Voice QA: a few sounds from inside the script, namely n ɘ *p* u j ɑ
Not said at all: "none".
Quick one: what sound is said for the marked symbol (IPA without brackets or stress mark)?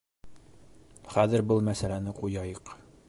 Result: q